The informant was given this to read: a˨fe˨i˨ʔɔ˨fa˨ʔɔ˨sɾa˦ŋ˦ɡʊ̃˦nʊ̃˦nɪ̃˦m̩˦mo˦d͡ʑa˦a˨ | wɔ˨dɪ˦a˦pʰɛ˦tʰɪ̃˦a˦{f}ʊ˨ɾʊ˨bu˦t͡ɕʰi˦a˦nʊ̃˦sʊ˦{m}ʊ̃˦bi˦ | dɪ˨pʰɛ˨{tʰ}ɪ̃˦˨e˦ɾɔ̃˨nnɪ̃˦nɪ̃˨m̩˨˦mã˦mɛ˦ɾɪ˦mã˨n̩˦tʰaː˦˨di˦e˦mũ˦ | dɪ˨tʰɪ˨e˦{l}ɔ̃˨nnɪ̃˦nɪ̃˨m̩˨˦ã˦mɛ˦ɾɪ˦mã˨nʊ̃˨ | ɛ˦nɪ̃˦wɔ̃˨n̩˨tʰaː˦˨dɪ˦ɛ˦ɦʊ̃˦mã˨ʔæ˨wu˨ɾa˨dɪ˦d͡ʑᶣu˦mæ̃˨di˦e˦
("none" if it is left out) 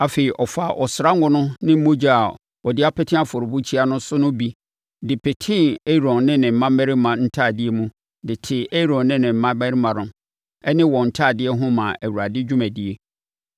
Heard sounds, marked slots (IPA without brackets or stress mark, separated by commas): f, n, tʰ, ɾ